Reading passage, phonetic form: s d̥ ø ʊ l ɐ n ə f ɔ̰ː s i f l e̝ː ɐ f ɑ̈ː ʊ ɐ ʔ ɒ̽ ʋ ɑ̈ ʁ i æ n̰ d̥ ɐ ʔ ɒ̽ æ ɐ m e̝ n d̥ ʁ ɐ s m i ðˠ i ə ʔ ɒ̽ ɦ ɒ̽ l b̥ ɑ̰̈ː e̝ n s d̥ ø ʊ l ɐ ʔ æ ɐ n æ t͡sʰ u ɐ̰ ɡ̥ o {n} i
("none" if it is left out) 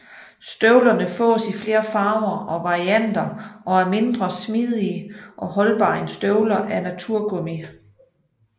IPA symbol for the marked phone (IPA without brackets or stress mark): m